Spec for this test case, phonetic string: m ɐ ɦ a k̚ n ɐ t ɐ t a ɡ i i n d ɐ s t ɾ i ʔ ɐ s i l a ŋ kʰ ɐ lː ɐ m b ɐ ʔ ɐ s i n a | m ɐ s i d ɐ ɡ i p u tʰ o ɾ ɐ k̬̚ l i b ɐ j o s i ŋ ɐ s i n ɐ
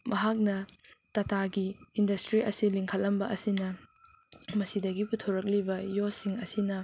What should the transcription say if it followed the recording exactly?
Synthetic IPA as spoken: m ɐ ɦ a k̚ n ɐ t ɐ t a ɡ i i n d ɐ s t ɾ i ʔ ɐ s i l i ŋ kʰ ɐ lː ɐ m b ɐ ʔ ɐ s i n ɐ | m ɐ s i d ɐ ɡ i p u tʰ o ɾ ɐ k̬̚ l i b ɐ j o s i ŋ ɐ s i n ɐ